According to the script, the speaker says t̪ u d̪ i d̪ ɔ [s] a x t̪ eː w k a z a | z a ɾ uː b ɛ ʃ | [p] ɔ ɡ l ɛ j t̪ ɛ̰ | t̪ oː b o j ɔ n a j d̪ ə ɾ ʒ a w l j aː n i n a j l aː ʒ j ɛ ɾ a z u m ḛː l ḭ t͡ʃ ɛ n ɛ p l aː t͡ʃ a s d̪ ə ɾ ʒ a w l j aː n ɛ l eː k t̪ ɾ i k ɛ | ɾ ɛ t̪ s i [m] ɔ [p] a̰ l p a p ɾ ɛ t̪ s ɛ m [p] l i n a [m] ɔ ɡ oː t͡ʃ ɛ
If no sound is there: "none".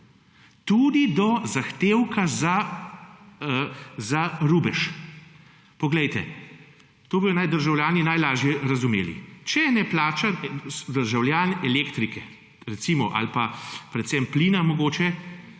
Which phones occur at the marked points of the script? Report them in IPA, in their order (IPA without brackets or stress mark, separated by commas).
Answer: z, p, m, ʔ, p, m